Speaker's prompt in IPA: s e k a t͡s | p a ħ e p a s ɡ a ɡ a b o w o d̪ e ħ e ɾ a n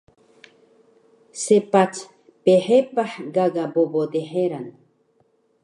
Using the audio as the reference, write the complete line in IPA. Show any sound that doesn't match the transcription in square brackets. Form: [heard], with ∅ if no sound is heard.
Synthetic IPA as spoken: s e [p] a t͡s | p [e] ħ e p a [ħ] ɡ a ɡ a b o [b] o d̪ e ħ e ɾ a n